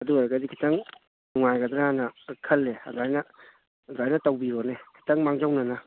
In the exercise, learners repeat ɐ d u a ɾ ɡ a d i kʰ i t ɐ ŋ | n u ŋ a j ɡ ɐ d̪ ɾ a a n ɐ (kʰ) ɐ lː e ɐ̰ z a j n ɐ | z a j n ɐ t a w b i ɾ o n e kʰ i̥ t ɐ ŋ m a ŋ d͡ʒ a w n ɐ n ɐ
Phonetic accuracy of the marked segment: correct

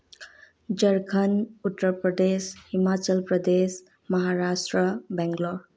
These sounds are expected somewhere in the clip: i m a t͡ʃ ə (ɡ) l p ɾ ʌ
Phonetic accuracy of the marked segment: incorrect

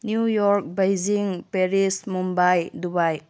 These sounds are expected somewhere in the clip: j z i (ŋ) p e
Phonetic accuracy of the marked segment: correct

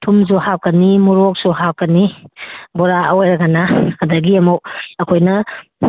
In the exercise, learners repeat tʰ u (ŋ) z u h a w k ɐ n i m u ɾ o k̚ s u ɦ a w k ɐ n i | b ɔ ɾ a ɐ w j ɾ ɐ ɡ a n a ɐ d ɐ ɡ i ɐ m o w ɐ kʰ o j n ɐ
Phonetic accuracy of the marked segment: incorrect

